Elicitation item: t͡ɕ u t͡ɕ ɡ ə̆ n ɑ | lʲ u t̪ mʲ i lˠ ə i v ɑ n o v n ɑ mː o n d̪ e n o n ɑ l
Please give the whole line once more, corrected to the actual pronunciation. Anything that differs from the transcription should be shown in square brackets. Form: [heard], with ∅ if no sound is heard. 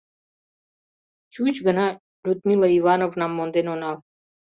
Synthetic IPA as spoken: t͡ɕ u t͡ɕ ɡ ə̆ n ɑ | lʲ u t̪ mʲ i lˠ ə i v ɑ n o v n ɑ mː o n d̪ e n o n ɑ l